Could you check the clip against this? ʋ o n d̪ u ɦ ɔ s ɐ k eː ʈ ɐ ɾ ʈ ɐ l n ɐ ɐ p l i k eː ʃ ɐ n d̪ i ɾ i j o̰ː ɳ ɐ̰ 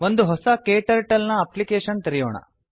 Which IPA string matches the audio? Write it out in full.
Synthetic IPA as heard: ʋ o n d̪ u ɦ ɔ s ɐ k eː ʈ ɐ ɾ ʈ ɐ l n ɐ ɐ p l i k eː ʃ ɐ n t̪ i ɾ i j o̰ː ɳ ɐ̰